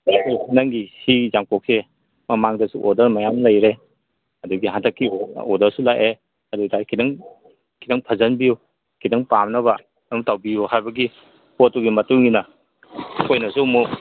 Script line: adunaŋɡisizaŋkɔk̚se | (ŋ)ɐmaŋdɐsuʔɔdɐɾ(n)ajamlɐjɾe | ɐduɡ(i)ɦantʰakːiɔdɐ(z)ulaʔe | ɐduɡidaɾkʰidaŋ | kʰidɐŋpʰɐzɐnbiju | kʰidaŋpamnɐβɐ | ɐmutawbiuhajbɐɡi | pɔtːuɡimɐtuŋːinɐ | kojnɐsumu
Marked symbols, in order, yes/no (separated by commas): no, no, yes, no